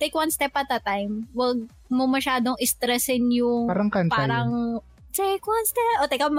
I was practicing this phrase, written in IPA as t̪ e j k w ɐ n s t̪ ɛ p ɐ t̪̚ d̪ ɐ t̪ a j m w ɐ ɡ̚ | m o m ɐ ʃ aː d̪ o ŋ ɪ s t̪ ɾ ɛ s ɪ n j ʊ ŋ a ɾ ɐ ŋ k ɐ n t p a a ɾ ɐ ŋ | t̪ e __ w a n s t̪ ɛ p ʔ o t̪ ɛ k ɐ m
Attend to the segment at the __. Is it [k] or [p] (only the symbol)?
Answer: k